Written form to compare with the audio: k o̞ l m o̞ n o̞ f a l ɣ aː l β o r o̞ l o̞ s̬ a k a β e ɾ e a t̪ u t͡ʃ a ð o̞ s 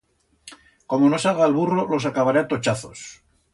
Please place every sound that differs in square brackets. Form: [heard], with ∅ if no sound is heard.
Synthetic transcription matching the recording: k o̞ [∅] m o̞ n o̞ [s] a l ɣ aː l β [u] r o̞ l o̞ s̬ a k a β [a] ɾ e a t̪ [o] t͡ʃ a [θ] o̞ s